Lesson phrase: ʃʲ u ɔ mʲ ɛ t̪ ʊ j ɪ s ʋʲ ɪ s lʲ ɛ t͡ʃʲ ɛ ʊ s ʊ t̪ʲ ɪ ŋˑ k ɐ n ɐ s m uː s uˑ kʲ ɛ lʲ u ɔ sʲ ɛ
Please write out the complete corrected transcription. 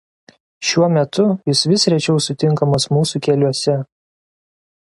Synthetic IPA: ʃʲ u ɔ mʲ ɛ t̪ ʊ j ɪ s ʋʲ ɪ s ɾʲ ɛ t͡ʃʲ ɛ ʊ s ʊ t̪ʲ ɪ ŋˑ k ɐ m ɐ s m uː s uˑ kʲ ɛ lʲ u ɔ sʲ ɛ